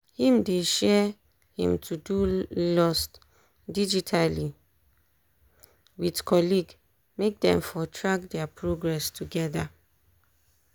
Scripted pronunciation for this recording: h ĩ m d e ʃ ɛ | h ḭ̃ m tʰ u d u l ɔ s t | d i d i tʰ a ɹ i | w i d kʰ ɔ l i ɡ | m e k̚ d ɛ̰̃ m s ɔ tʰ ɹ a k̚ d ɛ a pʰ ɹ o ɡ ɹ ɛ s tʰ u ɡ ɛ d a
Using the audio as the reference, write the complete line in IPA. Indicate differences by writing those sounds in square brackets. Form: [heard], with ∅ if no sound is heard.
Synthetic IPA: h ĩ m d e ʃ ɛ | h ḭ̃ m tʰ u d u l ɔ s t | d i [d͡ʒ] i tʰ a [l] i | w i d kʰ ɔ l i ɡ | m e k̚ d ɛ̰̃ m [f] ɔ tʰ ɹ a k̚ d ɛ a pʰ ɹ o ɡ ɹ ɛ s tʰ u ɡ ɛ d a